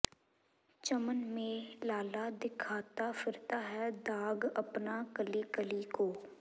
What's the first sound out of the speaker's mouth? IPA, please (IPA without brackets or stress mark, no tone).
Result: t͡ʃ